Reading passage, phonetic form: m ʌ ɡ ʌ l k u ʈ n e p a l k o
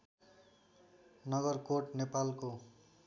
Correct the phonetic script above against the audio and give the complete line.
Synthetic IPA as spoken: n ʌ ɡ ʌ r k o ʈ n e p a l k o